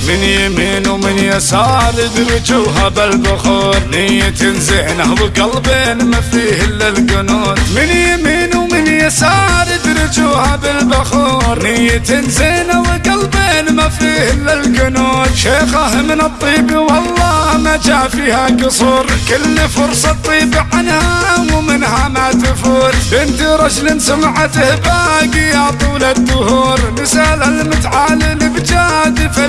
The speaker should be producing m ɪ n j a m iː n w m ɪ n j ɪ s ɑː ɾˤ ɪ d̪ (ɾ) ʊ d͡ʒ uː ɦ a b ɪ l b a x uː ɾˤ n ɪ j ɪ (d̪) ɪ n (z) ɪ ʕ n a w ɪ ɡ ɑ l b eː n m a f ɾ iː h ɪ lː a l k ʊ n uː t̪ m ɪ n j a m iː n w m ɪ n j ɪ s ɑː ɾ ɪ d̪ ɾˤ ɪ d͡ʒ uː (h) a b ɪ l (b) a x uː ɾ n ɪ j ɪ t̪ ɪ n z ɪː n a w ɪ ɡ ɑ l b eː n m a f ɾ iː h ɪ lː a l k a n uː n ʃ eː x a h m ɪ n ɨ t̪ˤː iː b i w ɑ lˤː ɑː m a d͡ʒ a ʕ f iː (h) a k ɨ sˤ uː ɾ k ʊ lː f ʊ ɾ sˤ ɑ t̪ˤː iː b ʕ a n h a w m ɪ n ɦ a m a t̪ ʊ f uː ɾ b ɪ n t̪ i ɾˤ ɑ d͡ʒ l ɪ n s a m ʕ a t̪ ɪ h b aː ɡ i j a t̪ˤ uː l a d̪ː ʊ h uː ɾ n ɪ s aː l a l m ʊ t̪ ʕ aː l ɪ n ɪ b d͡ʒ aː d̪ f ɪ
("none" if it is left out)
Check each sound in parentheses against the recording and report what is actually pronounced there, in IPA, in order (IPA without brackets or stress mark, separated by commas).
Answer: ɾ, t̪, z, h, b, h